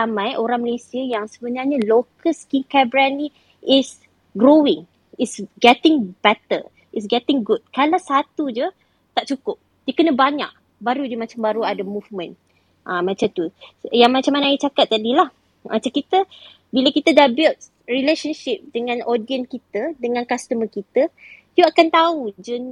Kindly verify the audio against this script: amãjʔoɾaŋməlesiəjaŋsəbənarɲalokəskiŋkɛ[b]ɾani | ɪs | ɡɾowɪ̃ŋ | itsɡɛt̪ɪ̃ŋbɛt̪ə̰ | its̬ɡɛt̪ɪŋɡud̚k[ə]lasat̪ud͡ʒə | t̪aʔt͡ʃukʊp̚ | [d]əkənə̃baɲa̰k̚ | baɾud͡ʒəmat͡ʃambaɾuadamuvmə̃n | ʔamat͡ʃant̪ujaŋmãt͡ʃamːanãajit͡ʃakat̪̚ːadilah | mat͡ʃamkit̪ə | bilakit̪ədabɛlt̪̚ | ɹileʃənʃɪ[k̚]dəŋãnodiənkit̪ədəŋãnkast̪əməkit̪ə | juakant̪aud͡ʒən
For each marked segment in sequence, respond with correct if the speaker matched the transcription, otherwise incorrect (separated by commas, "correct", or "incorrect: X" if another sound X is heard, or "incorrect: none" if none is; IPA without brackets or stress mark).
correct, incorrect: a, correct, incorrect: p̚